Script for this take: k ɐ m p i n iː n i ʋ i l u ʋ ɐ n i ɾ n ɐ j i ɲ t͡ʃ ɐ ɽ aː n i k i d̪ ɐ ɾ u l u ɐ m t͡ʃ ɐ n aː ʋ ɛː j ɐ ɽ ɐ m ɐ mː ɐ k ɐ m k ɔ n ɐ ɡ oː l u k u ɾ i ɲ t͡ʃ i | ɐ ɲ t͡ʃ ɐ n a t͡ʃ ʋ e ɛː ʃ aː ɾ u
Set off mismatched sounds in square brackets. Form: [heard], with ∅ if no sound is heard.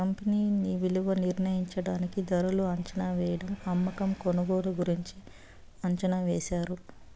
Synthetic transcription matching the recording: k ɐ m p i n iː n i ʋ i l u ʋ ɐ n i ɾ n ɐ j i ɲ t͡ʃ ɐ ɽ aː n i k i d̪ ɐ ɾ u l u ɐ [ɲ] t͡ʃ ɐ n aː ʋ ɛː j ɐ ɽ ɐ m ɐ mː ɐ k ɐ m k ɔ n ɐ ɡ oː [ɽ] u [ɡ] u ɾ i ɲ t͡ʃ i | ɐ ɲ t͡ʃ ɐ n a [∅] ʋ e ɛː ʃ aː ɾ u